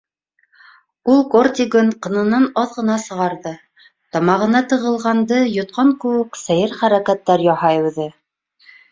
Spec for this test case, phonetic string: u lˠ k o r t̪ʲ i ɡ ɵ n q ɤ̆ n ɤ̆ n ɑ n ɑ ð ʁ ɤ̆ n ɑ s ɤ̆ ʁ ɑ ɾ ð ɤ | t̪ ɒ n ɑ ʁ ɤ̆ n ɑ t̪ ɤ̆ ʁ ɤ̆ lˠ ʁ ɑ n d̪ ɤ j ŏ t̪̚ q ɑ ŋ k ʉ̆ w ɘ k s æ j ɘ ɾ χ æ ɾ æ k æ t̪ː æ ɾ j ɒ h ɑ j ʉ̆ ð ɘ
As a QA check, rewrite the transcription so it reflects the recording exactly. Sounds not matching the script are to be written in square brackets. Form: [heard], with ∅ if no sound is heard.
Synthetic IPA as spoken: u lˠ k o r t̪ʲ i ɡ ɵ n q ɤ̆ n ɤ̆ n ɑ n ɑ ð ʁ ɤ̆ n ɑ s ɤ̆ ʁ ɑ ɾ ð ɤ | t̪ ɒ [m] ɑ ʁ ɤ̆ n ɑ t̪ ɤ̆ ʁ ɤ̆ lˠ ʁ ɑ n d̪ ɤ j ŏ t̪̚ q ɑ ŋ k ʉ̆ w ɘ k s æ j ɘ ɾ χ æ ɾ æ k æ t̪ː æ ɾ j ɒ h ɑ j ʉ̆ ð ɘ